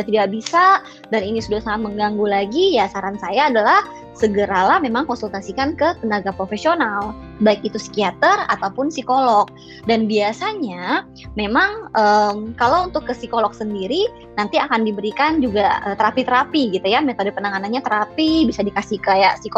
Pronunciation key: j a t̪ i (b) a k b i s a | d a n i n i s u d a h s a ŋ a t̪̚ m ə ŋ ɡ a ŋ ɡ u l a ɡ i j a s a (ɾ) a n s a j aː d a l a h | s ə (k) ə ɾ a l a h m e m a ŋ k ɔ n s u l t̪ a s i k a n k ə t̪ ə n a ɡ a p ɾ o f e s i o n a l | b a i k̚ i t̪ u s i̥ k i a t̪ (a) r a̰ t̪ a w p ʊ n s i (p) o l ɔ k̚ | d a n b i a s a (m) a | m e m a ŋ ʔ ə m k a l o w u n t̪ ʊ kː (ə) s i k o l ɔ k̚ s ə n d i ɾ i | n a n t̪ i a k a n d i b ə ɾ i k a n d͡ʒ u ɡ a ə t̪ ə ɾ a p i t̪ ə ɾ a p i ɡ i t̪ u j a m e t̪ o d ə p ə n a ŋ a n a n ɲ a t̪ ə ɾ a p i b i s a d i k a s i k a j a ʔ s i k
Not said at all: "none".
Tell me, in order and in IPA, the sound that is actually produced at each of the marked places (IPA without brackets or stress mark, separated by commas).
d, ɾ, ɡ, ə, k, ɲ, ə